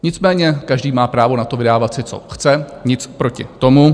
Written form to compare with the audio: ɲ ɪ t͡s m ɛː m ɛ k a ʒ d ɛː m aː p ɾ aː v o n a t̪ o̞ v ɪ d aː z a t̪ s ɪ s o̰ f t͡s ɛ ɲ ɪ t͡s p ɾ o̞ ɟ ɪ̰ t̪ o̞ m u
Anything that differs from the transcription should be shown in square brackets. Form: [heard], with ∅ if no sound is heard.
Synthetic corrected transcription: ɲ ɪ t͡s m ɛː [ɲ] ɛ k a ʒ d [iː] m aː p ɾ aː v o n a t̪ o̞ v ɪ d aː [v] a t̪ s ɪ [t͡s] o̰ [x] t͡s ɛ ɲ ɪ t͡s p ɾ o̞ [c] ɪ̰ t̪ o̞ m u